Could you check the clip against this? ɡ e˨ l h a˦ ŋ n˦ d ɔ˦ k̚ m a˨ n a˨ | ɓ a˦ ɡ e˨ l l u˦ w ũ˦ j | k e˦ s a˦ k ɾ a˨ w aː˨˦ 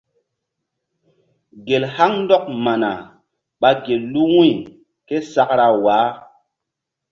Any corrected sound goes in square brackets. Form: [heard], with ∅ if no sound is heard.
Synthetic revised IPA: ɡ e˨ l h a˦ ŋ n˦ d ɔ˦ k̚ m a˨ n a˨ | ɓ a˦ ɡ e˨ l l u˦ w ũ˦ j | k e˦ s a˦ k ɾ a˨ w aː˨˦